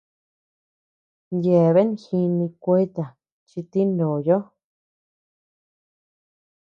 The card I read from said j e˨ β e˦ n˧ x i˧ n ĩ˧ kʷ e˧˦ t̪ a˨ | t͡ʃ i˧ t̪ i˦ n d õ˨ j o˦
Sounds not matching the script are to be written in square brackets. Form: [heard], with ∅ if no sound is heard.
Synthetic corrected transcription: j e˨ β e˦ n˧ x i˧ n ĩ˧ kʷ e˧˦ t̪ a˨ | t͡ʃ i˧ t̪ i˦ n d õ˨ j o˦